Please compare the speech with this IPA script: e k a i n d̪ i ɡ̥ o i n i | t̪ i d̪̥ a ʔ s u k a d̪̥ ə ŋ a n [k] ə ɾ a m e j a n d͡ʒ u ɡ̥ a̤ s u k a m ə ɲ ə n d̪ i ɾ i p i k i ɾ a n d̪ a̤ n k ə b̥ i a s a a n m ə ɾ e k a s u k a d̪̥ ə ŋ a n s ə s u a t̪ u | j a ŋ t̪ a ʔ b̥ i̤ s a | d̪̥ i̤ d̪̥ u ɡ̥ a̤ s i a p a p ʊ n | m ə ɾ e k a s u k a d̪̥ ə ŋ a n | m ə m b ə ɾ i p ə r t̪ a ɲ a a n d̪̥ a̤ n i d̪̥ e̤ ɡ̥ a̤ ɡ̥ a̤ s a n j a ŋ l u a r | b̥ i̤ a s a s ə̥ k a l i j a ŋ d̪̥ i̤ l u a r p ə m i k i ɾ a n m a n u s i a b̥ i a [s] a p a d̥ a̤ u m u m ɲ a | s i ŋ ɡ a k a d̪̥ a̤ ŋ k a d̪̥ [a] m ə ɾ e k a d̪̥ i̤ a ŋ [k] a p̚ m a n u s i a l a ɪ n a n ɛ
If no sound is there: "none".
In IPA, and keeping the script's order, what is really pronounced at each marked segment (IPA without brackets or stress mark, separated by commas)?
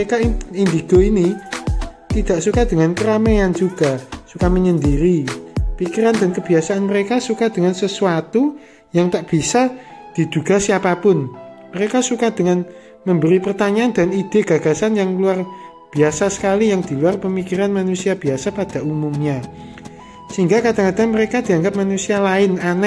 k, s, a, ɡ